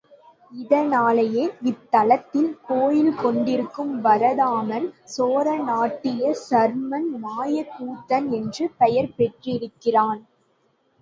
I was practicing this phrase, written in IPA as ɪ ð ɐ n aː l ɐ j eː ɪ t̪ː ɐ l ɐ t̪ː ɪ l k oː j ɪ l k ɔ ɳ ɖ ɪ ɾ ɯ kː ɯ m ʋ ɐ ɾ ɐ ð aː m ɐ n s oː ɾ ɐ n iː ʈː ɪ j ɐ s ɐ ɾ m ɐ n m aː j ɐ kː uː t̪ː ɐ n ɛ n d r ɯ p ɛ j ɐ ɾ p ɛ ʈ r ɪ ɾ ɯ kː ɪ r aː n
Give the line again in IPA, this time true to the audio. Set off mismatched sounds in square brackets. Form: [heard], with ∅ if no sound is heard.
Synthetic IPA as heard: ɪ ð ɐ n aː l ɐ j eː ɪ t̪ː ɐ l ɐ t̪ː ɪ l k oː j ɪ l k ɔ ɳ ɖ ɪ ɾ ɯ kː ɯ m ʋ ɐ ɾ ɐ ð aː m ɐ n s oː ɾ ɐ n [aː] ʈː ɪ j ɐ s ɐ ɾ m ɐ n m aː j ɐ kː uː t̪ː ɐ n ɛ n d r ɯ p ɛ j ɐ ɾ p ɛ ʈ r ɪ ɾ ɯ kː ɪ r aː n